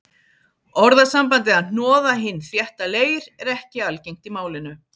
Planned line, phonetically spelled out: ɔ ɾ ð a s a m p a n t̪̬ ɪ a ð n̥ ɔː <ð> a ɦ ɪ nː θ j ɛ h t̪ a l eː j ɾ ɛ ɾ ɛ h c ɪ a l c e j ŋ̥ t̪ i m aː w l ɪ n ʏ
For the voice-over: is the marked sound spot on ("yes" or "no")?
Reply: yes